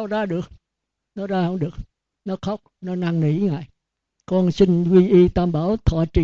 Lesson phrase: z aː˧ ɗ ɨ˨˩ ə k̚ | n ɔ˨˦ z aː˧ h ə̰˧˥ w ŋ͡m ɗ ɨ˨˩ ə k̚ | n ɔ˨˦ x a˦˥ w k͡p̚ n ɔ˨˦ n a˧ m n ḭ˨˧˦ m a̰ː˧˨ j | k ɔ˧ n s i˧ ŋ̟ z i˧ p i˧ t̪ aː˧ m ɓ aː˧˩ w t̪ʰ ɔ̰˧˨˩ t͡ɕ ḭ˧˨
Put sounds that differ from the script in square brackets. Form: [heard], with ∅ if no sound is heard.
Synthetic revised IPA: z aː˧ ɗ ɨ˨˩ ə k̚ | n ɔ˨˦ z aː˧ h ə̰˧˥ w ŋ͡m ɗ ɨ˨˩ ə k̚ | n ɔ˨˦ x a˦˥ w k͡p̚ n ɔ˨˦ n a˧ [ŋ] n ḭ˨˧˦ [ŋ] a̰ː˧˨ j | k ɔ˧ n s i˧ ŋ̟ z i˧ [ʔ] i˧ t̪ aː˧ m ɓ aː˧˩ w t̪ʰ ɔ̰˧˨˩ t͡ɕ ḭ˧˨